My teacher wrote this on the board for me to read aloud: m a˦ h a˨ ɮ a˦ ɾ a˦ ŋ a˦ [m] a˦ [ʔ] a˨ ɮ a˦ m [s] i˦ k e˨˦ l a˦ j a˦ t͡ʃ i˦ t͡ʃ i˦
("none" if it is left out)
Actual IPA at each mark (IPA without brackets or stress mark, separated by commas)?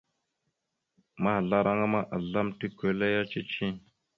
m, ʔ, t